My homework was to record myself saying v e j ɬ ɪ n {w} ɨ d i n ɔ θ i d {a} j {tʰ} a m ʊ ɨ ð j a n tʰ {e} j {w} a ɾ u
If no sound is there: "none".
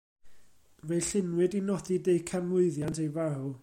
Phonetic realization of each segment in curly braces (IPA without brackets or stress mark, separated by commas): w, e, kʰ, e, v